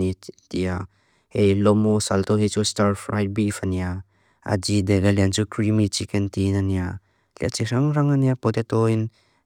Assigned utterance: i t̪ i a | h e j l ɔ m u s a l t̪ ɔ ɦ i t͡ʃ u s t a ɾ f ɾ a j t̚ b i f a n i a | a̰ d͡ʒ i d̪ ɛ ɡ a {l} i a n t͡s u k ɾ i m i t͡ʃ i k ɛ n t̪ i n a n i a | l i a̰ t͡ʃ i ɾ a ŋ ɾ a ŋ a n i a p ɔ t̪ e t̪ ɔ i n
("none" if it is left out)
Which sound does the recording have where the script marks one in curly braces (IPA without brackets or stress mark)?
l